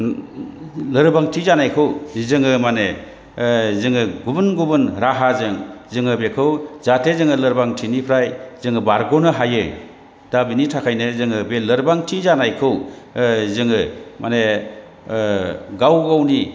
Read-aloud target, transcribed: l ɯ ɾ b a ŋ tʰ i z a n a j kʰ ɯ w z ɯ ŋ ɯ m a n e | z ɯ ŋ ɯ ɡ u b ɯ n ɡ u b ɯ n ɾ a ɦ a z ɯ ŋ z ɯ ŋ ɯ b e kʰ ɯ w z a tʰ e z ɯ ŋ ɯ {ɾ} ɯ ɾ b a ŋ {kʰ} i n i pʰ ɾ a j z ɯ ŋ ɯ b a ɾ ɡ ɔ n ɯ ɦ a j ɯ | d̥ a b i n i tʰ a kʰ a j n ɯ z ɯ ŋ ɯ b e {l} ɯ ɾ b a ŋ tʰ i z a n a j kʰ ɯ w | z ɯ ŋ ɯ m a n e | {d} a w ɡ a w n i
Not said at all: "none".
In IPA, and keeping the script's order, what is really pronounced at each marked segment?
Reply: l, tʰ, l, ɡ

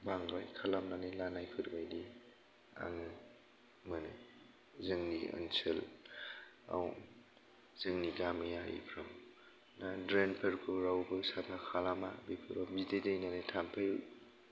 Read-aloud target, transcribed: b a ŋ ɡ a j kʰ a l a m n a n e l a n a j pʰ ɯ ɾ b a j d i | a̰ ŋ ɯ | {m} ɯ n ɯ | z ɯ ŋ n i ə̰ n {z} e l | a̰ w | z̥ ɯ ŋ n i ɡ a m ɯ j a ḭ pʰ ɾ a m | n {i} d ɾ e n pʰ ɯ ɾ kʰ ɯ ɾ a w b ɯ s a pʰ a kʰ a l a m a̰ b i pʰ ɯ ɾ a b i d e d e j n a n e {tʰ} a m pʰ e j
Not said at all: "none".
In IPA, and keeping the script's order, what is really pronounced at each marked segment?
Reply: m, s, a, tʰ

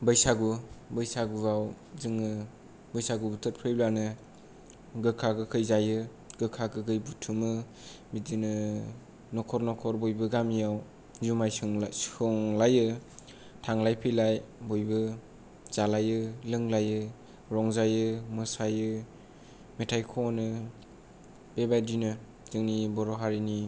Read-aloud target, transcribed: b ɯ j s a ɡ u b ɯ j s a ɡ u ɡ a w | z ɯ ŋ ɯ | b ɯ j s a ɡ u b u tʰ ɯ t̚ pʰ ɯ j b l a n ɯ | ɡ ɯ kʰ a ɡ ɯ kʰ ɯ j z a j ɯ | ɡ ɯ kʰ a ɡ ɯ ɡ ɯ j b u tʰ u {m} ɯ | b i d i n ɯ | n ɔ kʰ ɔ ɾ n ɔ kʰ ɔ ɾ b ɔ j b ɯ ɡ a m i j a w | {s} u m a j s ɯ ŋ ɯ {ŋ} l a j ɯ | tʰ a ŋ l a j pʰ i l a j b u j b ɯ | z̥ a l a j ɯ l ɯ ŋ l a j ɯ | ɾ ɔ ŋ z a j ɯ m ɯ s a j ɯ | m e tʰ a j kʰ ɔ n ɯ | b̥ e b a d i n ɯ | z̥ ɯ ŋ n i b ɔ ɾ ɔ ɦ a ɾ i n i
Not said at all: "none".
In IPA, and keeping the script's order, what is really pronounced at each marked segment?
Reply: m, z, ŋ

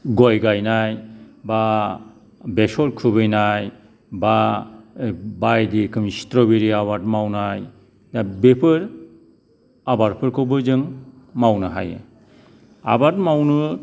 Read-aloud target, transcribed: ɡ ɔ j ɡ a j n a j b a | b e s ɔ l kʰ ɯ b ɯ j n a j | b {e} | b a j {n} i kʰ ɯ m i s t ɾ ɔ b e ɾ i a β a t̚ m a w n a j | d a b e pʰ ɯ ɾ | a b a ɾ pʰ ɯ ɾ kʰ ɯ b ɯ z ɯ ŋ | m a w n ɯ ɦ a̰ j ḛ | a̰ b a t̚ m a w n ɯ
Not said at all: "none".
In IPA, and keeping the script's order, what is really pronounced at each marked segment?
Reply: a, d

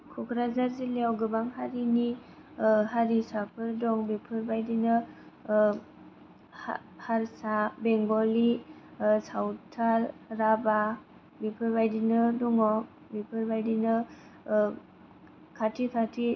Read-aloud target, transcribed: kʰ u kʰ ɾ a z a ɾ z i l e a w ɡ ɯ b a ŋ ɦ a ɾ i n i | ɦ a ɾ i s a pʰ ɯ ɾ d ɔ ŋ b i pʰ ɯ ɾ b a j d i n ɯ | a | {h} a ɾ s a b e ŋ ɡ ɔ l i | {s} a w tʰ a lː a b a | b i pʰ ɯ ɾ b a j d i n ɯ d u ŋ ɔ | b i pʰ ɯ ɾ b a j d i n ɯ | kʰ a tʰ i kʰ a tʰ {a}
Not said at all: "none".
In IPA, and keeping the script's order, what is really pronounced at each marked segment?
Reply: h, s, i

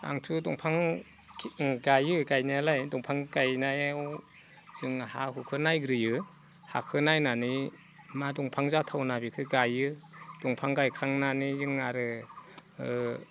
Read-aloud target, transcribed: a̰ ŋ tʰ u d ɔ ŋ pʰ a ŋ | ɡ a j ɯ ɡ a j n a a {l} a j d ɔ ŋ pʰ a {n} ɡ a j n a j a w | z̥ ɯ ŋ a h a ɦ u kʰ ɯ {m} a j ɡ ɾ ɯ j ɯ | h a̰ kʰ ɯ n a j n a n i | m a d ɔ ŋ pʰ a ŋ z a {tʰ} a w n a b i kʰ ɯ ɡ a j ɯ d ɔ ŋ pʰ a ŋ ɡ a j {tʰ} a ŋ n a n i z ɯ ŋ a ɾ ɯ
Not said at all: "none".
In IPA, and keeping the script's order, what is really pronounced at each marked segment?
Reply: l, ŋ, n, tʰ, kʰ

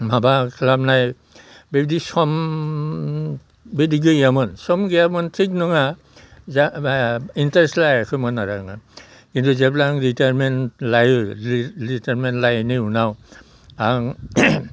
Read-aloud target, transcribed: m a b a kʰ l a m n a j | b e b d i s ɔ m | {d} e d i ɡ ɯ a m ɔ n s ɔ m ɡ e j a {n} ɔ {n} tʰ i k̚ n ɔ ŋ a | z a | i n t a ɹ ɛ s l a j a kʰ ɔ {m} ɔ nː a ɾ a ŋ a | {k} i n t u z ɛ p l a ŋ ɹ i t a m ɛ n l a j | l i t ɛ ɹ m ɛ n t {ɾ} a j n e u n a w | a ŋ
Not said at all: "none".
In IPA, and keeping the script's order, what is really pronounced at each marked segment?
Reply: b, m, n, m, k, l

